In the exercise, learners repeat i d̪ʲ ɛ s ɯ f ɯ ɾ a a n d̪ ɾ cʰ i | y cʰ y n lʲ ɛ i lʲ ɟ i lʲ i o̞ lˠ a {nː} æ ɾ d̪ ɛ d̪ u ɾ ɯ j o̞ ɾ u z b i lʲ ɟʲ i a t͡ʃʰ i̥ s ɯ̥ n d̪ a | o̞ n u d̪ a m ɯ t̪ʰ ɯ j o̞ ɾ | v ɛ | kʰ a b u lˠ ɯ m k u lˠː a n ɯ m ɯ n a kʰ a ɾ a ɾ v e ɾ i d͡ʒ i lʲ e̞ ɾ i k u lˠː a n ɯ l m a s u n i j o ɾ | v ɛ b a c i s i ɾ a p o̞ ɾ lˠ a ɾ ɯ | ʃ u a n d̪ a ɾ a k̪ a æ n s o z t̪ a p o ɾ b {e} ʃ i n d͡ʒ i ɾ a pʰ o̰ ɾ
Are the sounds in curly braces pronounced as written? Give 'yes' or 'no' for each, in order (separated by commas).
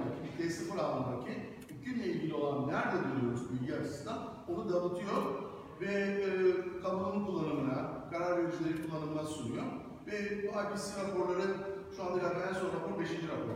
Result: yes, yes